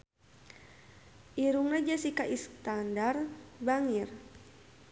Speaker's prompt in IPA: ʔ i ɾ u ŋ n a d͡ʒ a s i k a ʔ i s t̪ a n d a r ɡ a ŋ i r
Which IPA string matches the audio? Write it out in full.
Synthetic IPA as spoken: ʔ i ɾ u ŋ n a d͡ʒ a s i k a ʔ i s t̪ a n d a r b a ŋ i r